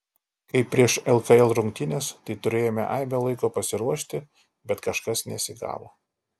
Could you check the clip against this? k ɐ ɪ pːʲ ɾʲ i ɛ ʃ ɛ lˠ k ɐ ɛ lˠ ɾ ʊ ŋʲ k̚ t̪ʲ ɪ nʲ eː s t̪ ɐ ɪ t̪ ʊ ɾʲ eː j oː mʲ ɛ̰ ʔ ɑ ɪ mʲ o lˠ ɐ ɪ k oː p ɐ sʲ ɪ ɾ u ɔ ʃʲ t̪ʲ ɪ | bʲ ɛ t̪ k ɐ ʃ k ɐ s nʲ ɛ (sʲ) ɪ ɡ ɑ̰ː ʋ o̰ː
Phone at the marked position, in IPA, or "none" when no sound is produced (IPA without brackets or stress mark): sʲ